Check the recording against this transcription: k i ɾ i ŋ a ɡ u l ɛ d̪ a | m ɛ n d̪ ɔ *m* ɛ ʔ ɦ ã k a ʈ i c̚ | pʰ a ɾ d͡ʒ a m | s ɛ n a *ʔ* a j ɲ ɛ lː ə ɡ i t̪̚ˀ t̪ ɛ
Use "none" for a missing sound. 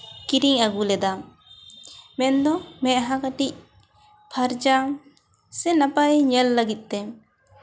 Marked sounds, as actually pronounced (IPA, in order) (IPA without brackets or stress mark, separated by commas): m, p